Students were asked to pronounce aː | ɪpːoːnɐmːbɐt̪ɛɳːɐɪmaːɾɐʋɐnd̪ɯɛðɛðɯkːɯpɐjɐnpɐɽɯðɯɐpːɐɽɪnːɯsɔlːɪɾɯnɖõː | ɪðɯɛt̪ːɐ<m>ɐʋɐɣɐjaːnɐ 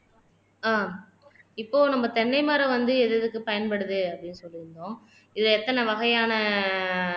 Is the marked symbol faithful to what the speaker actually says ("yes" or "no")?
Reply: no